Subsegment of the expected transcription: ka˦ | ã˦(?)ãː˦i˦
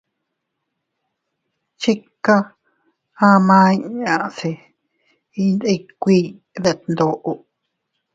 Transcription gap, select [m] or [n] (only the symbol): m